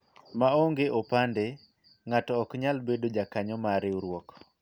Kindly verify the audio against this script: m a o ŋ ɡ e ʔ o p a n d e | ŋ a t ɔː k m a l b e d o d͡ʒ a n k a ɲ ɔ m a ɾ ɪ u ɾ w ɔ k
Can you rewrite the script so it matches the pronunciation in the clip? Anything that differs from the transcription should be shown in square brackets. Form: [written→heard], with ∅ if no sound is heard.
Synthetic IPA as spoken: m a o ŋ ɡ e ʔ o p a n d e | ŋ a t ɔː k [m→ɲ] a l b e d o d͡ʒ a [n→∅] k a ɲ ɔ m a ɾ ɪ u ɾ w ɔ k

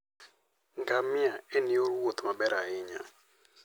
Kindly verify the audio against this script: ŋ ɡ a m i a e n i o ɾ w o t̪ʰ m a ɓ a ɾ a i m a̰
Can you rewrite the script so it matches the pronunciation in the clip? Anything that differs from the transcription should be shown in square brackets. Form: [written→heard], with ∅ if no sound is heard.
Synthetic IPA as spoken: ŋ ɡ a m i a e n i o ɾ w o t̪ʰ m a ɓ [a→ɛ] ɾ a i [m→ɲ] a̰

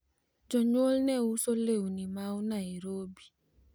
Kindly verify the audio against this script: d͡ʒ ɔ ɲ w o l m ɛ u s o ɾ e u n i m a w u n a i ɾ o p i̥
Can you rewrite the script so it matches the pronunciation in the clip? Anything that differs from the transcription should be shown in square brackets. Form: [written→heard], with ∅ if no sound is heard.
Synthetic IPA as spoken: d͡ʒ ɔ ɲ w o l [m→n] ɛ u s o [ɾ→l] e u n i m a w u n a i ɾ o [p→b] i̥

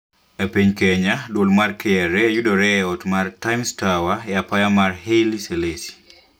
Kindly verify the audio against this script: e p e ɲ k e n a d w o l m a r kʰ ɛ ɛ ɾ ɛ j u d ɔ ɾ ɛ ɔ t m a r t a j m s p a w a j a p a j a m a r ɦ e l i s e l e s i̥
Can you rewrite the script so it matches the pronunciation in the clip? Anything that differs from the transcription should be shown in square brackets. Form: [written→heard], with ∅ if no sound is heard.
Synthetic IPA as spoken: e p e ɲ k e [n→ɲ] a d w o l m a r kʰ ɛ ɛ ɾ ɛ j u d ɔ ɾ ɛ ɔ t m a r t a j m s [p→t] a w a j a p a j a m a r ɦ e l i s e l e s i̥

